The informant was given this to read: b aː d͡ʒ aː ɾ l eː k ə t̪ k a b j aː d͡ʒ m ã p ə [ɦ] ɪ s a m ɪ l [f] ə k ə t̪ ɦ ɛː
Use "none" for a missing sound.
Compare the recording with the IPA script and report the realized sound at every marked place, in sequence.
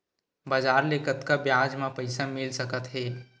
none, s

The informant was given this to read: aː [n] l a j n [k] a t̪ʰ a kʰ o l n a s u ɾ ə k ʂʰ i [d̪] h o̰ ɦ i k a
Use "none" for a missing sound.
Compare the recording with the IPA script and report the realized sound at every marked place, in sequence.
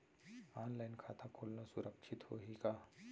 n, kʰ, t̪

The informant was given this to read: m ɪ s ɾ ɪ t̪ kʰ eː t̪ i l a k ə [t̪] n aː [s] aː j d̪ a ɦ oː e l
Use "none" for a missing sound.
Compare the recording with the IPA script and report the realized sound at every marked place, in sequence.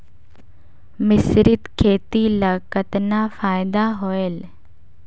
t̪, f

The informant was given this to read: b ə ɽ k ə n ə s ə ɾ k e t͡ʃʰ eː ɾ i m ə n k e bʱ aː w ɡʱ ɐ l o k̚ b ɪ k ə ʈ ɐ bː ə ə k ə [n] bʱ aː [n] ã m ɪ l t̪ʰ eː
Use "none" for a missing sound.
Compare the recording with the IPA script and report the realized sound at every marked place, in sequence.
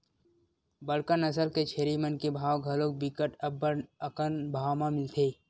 n, m

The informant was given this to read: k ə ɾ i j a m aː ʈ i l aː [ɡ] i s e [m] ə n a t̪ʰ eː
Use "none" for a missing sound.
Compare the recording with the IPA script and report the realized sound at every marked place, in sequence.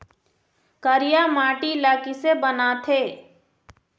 k, b

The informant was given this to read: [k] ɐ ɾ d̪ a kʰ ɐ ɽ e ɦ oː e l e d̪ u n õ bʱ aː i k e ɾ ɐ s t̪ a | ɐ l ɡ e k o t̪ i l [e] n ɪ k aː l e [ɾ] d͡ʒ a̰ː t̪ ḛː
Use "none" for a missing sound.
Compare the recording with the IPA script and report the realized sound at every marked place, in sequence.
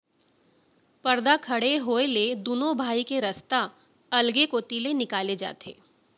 p, e, none

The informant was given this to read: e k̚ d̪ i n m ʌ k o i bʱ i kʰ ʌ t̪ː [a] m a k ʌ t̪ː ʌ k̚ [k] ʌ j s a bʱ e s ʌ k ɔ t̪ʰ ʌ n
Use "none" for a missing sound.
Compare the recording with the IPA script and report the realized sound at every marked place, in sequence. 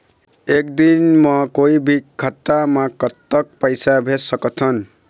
a, p

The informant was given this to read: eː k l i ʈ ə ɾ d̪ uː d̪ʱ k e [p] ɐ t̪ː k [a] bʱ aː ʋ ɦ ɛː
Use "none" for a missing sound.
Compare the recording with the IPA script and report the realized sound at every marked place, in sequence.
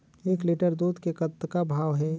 k, a

